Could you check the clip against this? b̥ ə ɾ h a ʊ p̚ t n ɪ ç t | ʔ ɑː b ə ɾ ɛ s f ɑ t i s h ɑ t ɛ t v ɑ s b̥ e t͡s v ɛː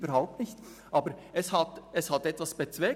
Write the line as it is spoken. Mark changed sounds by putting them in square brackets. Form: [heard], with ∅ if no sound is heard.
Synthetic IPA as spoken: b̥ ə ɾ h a ʊ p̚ t n ɪ ç t | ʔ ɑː b ə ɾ ɛ s [h] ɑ t [ɛ] s h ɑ t ɛ t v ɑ s b̥ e t͡s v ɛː